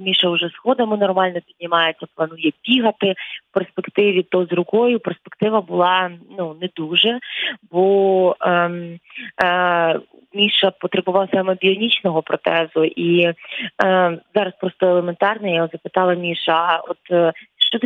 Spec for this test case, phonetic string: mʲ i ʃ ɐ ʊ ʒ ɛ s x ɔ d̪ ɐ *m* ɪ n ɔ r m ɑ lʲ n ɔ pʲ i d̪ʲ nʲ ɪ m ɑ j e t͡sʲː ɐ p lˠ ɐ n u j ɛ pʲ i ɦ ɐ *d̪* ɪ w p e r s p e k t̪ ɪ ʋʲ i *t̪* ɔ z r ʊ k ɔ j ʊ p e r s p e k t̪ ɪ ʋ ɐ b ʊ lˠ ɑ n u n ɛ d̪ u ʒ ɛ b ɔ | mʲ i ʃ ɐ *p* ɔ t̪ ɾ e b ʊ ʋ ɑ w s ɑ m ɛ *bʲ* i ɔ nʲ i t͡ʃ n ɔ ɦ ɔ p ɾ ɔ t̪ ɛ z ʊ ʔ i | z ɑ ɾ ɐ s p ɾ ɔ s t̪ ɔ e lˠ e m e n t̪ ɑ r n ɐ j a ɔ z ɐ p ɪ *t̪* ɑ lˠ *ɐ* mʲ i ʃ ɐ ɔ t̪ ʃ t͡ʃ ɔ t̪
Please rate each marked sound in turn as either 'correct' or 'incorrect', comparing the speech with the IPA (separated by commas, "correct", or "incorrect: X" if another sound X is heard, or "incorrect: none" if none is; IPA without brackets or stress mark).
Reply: correct, incorrect: t̪, correct, correct, correct, correct, correct